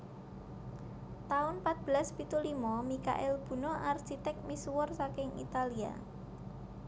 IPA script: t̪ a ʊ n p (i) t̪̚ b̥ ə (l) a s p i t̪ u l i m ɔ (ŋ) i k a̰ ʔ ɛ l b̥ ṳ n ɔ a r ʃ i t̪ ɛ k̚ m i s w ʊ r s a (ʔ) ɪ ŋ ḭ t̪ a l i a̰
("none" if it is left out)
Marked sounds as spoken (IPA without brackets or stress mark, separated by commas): a, l, m, k